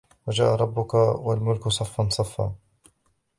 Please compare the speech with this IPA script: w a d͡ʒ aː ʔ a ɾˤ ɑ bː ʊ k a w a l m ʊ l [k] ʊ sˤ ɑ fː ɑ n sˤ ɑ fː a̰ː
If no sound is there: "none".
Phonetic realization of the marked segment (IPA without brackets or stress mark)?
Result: k